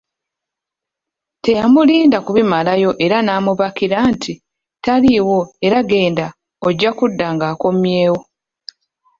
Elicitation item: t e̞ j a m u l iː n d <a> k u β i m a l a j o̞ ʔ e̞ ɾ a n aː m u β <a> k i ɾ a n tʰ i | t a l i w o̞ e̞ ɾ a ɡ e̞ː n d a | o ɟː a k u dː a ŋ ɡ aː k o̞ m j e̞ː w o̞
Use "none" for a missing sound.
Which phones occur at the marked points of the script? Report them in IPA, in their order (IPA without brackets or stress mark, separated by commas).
a, a